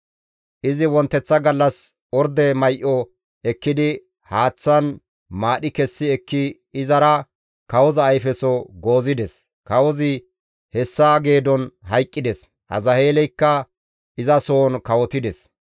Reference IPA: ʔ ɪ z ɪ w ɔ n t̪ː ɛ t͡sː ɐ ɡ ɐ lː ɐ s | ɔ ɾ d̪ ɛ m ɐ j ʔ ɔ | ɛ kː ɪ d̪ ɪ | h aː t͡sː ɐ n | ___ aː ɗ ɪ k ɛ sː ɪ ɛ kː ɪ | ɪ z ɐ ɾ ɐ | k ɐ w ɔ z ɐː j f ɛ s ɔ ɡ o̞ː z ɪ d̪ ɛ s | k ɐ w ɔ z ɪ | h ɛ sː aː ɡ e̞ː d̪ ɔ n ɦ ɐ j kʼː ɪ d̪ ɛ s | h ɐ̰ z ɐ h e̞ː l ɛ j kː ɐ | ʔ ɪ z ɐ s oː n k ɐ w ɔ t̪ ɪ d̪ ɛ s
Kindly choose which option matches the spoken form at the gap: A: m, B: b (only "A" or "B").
A